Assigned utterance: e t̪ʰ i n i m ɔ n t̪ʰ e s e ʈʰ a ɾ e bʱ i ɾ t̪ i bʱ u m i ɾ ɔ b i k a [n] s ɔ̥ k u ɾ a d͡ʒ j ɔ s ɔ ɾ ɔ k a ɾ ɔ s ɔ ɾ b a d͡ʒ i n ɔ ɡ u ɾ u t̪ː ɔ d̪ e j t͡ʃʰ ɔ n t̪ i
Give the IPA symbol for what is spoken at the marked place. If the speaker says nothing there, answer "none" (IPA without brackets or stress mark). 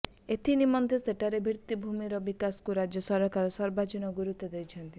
none